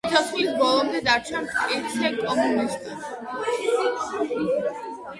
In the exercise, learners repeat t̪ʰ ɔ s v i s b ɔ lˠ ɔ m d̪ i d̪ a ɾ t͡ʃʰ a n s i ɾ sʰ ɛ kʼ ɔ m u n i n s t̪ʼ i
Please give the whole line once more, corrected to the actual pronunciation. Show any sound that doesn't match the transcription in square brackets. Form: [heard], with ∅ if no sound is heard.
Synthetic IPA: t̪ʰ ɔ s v i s b ɔ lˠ ɔ m d̪ [ɛ] d̪ a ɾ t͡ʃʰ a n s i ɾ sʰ ɛ kʼ ɔ m u n i [∅] s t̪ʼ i